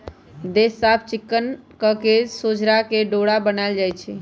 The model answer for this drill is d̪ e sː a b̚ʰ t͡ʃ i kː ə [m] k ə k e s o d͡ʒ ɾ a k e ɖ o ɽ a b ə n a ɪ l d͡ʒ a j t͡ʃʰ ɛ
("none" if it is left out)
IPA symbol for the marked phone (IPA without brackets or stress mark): n